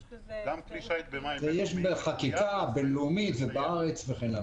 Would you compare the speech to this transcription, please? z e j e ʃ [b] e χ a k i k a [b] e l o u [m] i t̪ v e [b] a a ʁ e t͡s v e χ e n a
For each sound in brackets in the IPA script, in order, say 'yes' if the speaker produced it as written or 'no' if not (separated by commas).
yes, yes, yes, yes